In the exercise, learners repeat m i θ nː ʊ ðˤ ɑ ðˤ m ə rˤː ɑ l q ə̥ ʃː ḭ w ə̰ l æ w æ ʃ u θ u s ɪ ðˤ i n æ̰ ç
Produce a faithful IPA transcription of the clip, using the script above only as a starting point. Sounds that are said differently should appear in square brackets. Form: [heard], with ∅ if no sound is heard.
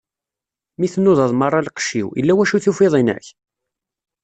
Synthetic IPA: m i θ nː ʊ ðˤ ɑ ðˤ m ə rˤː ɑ l q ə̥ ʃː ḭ w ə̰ [lː] æ w æ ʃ u θ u [f] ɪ ðˤ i n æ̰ ç